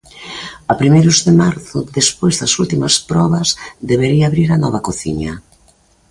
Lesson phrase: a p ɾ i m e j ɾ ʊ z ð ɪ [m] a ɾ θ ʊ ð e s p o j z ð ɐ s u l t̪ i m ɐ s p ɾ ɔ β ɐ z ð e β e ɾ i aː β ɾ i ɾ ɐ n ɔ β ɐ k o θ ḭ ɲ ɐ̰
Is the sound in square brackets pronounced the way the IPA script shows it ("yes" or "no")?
yes